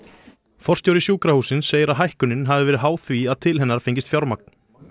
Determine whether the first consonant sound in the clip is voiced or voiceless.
voiceless